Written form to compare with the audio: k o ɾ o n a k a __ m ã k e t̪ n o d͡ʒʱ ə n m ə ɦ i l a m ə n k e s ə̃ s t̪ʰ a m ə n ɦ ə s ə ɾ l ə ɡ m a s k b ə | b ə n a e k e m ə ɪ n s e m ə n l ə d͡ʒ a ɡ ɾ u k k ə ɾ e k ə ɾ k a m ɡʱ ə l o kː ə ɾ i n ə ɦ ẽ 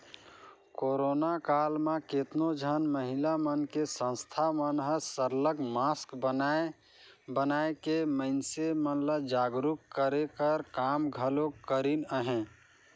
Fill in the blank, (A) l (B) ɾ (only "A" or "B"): A